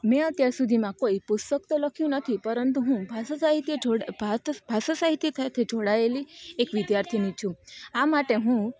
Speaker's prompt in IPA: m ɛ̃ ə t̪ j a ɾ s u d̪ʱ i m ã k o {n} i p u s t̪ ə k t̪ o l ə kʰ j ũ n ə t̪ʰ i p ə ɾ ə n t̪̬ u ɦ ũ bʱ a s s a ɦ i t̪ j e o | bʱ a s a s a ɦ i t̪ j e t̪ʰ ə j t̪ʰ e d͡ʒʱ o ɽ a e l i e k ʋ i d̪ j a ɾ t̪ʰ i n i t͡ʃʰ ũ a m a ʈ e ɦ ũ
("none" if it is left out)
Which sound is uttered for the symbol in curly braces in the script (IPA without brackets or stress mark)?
none